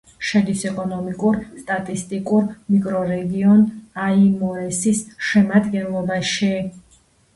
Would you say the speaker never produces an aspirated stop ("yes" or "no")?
yes